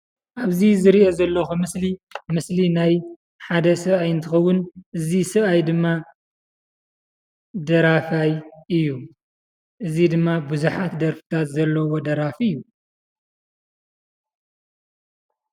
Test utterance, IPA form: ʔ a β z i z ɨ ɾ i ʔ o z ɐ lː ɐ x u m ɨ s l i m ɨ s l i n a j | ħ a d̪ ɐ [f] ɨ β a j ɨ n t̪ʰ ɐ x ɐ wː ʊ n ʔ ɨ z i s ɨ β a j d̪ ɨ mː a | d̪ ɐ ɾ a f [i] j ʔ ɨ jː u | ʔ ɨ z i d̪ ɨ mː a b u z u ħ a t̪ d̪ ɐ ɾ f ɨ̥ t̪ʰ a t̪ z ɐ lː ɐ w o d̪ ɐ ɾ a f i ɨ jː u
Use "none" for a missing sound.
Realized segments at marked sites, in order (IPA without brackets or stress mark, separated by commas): s, a